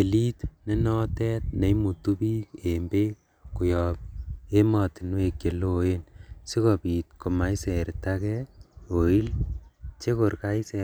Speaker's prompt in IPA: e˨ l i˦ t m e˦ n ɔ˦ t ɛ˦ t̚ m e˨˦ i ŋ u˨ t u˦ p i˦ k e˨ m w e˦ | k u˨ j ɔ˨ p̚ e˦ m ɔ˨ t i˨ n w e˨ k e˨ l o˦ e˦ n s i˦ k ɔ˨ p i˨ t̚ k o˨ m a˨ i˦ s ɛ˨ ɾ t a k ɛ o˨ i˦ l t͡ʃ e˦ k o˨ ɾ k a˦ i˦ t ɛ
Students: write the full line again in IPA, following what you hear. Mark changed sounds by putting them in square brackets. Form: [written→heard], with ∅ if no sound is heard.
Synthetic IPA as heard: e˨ l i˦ t [m→n] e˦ n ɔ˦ t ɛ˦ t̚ [m→n] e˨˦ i [ŋ→m] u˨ t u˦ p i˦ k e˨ m [w→b] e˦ | k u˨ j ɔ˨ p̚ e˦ m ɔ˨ t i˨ n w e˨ k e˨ l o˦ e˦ n s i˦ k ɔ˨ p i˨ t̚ k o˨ m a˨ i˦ s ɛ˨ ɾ t a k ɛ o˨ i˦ l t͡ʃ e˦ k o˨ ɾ k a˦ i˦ [t→s] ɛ

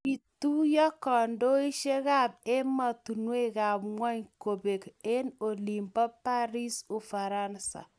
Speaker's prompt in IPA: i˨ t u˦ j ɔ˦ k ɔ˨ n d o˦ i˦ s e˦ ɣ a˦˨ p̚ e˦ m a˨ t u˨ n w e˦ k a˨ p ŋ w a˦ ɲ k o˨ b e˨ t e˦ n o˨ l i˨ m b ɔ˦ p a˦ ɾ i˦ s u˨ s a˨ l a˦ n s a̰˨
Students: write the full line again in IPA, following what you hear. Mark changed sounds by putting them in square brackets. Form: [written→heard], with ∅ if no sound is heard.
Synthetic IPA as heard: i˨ t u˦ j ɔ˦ k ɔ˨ n d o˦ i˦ [s→ʃ] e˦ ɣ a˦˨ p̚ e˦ m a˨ t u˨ n w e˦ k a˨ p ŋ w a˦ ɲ k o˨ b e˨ [t→k] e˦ n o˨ l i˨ m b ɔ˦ p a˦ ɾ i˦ s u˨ [s→f] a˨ [l→ɾ] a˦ n s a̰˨

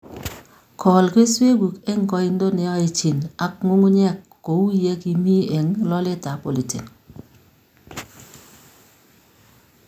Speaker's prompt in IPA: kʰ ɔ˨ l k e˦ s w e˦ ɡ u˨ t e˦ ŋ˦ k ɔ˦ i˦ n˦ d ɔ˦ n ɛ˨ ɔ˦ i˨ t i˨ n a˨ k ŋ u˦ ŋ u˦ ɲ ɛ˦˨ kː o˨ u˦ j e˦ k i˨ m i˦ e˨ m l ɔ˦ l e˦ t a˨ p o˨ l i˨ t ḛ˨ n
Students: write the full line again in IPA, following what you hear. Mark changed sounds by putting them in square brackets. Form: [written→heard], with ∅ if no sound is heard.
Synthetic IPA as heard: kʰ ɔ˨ l k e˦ s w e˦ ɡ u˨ [t→k] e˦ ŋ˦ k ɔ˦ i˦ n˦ d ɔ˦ n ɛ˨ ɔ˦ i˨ [t→t͡ʃ] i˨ n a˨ k ŋ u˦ ŋ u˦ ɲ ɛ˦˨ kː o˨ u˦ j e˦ k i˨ m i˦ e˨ [m→ŋ] l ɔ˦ l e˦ t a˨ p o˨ l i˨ t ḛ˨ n

